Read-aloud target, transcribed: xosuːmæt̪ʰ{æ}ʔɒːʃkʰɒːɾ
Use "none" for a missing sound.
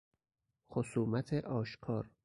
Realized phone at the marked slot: e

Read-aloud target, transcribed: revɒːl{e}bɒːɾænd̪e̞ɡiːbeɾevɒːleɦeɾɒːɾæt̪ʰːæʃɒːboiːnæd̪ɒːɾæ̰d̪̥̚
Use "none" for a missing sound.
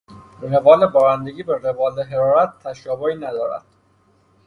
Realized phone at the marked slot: e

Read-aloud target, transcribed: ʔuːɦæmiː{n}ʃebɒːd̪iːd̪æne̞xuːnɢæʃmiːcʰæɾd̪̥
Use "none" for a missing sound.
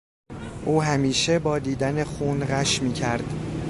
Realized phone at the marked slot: none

